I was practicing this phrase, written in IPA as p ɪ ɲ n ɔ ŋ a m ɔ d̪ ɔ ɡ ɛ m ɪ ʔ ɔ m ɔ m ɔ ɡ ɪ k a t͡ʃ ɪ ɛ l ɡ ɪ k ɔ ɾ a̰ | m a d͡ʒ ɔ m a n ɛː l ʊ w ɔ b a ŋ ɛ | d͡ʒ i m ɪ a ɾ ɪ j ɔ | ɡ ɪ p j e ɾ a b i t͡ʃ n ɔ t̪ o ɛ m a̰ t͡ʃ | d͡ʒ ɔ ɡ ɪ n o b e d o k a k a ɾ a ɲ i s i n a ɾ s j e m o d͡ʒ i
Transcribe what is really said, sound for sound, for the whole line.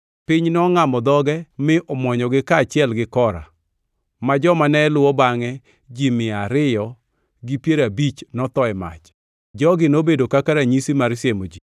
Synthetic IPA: p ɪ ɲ n ɔ ŋ a m ɔ d̪ ɔ ɡ ɛ m ɪ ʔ ɔ m ɔ ɲ ɔ ɡ ɪ k a t͡ʃ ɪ ɛ l ɡ ɪ k ɔ ɾ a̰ | m a d͡ʒ ɔ m a n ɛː l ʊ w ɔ b a ŋ ɛ | d͡ʒ i m ɪ a ɾ ɪ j ɔ | ɡ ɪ p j e ɾ a b i t͡ʃ n ɔ t̪ ɔ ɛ m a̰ t͡ʃ | d͡ʒ ɔ ɡ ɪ n o b e d o k a k a ɾ a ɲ i s i m a ɾ s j e m o d͡ʒ i